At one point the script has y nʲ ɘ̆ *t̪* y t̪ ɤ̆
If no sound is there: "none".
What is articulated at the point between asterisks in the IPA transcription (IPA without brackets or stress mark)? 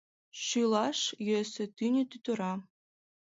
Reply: t̪